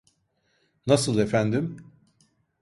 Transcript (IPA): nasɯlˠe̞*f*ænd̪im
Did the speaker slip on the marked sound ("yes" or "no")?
no